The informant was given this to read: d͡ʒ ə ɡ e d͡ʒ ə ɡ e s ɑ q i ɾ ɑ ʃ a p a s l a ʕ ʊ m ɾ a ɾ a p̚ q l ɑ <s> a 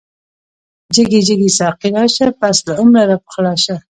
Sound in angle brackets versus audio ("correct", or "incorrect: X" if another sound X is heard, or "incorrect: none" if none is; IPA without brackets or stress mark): incorrect: ʃ